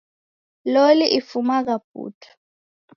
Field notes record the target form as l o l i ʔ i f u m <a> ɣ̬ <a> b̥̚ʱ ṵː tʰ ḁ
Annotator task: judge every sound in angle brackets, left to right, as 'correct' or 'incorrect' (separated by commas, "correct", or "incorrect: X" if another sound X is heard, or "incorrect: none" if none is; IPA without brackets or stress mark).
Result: correct, correct